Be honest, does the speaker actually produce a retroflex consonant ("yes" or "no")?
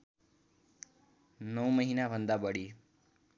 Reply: yes